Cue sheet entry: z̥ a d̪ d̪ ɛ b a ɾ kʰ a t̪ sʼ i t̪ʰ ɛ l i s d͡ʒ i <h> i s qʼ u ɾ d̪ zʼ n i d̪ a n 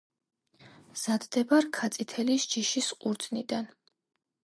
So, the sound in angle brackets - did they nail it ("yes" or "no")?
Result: no